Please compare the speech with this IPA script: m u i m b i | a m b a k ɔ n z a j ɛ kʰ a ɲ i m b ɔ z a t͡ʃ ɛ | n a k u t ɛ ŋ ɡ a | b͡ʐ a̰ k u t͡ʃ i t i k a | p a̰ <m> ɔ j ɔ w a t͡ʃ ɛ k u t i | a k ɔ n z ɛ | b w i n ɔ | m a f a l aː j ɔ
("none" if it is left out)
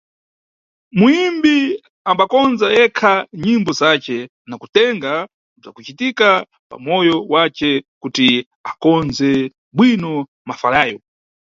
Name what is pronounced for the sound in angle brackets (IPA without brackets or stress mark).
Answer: m